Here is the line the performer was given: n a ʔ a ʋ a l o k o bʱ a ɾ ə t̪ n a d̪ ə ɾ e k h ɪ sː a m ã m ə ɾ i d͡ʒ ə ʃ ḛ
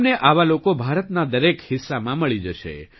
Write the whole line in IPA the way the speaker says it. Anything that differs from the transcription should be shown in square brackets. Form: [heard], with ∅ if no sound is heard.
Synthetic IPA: n [e] ʔ a ʋ a l o k o bʱ a ɾ ə t̪ n a d̪ ə ɾ e k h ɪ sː a m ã m ə [ɭ] i d͡ʒ ə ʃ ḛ